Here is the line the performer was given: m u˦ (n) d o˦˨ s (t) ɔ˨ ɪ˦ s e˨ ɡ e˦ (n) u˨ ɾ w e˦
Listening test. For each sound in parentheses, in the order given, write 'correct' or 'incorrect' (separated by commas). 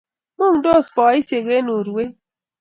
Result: incorrect, incorrect, correct